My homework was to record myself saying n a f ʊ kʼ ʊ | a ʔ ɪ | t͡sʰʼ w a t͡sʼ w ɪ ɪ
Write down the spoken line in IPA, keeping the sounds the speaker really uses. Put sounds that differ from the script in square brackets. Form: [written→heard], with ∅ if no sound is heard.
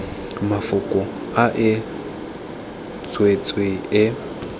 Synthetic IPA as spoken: [n→m] a f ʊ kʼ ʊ | a ʔ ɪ | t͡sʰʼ w [a→e] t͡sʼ w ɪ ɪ